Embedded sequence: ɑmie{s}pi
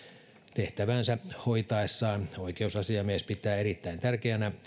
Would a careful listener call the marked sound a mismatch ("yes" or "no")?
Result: no